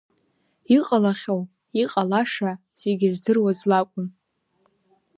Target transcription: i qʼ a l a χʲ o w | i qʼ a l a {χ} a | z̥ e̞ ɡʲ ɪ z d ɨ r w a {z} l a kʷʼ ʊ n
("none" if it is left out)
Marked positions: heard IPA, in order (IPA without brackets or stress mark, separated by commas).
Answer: ʂ, z